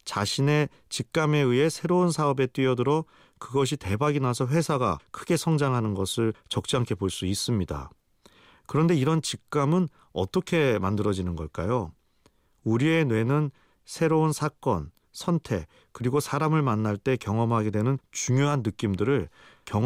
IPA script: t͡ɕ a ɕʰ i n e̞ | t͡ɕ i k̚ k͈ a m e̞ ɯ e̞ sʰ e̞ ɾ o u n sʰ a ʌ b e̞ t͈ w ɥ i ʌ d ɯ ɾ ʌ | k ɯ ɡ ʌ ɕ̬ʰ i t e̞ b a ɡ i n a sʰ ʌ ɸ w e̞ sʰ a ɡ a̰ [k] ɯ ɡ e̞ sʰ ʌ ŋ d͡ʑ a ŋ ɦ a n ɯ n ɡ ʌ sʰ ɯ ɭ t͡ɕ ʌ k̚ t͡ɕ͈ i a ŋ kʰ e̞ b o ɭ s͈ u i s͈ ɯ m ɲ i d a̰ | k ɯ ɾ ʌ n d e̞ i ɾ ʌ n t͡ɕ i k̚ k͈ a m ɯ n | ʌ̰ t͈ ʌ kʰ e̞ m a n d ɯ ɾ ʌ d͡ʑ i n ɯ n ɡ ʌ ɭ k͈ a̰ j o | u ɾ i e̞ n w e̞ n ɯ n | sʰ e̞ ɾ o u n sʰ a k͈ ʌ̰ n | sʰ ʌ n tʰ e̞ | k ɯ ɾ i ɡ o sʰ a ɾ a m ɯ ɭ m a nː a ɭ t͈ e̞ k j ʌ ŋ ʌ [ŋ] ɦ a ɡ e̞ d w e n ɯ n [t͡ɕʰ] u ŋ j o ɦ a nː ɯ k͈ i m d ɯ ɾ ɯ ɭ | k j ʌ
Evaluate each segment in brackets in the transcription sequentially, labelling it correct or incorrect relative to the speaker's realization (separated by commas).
incorrect, incorrect, incorrect